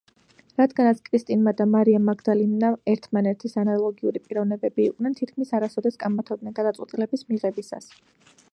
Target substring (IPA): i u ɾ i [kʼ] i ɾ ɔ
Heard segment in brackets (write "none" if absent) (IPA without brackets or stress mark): pʼ